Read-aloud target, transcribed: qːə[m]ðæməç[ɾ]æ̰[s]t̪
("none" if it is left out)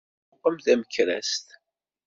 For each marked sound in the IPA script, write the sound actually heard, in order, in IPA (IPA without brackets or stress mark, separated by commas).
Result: m, ɾ, s